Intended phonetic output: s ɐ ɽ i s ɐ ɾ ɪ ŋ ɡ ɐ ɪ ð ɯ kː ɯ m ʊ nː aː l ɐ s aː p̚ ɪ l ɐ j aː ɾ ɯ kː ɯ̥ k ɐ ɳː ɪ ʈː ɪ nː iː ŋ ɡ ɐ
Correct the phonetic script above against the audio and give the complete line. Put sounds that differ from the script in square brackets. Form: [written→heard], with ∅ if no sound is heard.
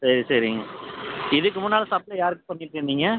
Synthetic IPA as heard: s ɐ [ɽ→ɾ] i s ɐ ɾ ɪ ŋ ɡ ɐ ɪ ð ɯ kː ɯ m ʊ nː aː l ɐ s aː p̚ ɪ l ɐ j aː ɾ ɯ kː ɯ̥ [k→p] ɐ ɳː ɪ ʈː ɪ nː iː ŋ ɡ ɐ